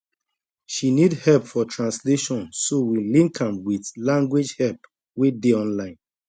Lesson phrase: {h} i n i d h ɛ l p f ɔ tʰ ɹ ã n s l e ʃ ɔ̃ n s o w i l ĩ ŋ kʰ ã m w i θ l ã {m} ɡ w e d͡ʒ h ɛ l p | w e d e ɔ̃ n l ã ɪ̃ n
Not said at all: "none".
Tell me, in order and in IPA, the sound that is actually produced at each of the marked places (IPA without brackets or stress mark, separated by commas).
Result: ʃ, ŋ